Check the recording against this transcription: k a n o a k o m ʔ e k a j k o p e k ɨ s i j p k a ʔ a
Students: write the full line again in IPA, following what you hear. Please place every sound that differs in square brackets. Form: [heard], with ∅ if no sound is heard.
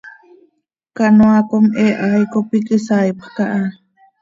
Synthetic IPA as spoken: k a n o a k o m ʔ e [ʔ] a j k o p [i] k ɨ s [a] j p k a ʔ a

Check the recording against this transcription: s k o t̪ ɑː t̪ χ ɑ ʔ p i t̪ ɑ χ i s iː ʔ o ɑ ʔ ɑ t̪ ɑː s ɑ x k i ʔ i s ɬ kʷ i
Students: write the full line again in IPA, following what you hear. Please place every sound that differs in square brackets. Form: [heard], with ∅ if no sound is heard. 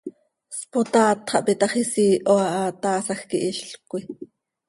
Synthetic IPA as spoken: s [p] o t̪ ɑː t̪ χ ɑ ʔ p i t̪ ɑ χ i s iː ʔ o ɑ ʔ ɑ t̪ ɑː s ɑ x k i ʔ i [ʃ] ɬ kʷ i

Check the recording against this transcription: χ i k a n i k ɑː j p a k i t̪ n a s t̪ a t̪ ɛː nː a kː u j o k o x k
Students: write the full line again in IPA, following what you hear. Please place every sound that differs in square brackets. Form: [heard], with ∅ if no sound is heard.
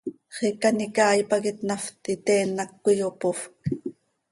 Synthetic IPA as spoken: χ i k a n i k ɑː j p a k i t̪ n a [f] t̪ [i] t̪ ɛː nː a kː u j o [p] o [f] k

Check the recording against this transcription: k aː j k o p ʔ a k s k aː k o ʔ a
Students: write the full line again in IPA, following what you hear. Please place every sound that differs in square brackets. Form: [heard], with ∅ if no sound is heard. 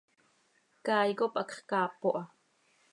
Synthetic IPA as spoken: k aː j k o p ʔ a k [χ] k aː [p] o ʔ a

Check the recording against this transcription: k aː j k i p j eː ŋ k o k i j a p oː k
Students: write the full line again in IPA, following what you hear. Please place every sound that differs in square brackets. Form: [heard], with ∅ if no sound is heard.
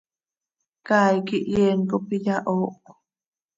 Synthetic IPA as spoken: k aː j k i [ʔ] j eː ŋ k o [p] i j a [ʔ] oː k

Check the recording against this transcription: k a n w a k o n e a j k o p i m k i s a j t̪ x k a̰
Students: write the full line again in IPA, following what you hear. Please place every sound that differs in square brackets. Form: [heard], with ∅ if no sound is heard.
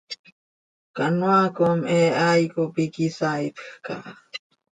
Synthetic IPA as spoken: k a n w a k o [m] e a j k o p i [∅] k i s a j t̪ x k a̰

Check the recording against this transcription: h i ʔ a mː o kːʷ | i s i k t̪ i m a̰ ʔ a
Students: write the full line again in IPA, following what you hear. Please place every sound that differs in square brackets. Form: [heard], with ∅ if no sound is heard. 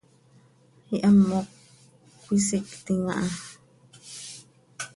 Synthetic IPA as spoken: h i ʔ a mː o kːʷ | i s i k t̪ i [ŋ] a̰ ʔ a

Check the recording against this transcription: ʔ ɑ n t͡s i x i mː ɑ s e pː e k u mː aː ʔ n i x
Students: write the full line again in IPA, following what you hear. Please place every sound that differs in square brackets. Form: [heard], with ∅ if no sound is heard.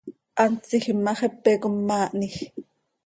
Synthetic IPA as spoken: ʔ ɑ n t͡s i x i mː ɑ [χ] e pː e k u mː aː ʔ n i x

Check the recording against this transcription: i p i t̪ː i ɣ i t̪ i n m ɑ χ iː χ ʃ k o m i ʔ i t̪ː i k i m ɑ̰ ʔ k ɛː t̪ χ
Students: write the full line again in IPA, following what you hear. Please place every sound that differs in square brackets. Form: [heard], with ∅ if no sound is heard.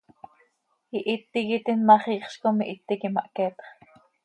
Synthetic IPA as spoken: i [ʔ] i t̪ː i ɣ i t̪ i n m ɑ χ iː χ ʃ k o m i ʔ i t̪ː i k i m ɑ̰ ʔ k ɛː t̪ χ

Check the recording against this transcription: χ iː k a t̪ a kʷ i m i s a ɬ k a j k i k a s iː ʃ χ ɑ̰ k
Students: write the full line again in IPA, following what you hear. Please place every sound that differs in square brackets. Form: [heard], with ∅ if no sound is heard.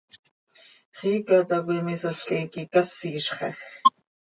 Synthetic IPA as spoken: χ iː k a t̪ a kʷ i m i s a ɬ k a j k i k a s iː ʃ χ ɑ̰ [x]

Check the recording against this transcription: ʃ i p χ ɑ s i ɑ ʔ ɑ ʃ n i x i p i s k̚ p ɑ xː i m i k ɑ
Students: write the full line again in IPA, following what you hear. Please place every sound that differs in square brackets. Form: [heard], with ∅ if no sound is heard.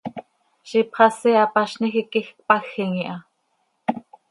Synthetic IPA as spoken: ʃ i p χ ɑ s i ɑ [p] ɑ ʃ n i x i [k] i [x] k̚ p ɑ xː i [ŋ] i [ʔ] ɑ

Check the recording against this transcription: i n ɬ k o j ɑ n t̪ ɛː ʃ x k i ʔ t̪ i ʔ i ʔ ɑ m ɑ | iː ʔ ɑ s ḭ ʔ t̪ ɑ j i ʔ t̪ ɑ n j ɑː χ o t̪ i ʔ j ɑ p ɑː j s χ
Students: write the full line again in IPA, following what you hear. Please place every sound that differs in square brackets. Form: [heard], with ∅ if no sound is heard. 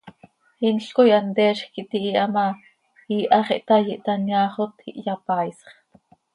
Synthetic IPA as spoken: i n ɬ k o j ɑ n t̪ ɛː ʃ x k i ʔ t̪ i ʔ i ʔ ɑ m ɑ | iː ʔ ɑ [χ] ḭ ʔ t̪ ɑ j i ʔ t̪ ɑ n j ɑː χ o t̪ i ʔ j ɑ p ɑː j s χ

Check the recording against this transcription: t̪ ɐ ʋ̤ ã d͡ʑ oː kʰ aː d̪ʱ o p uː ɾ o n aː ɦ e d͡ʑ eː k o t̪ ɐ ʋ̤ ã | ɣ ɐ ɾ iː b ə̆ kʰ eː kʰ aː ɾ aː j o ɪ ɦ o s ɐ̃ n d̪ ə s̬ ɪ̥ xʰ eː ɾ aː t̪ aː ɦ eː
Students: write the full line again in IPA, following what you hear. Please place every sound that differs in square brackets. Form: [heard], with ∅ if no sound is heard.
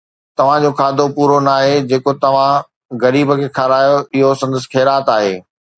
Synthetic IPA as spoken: t̪ ɐ ʋ̤ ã d͡ʑ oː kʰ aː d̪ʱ o p uː ɾ o n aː ɦ e d͡ʑ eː k o t̪ ɐ ʋ̤ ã | ɣ ɐ ɾ iː b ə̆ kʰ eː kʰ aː ɾ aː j o ɪ ɦ o s ɐ̃ n d̪ ə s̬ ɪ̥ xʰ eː ɾ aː t̪ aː ɦ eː

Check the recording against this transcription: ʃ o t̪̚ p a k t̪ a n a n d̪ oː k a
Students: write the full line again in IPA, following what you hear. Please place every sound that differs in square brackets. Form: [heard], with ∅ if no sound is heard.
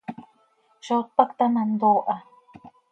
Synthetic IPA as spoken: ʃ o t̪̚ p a k t̪ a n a n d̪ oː [ʔ] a

